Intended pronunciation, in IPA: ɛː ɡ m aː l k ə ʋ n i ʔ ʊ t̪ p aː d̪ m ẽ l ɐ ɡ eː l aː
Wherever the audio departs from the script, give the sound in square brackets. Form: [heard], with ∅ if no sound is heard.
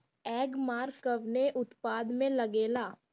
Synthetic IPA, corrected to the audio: ɛː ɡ m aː [ɾ] k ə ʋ n [e] ʔ ʊ t̪ p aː d̪ m ẽ l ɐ ɡ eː l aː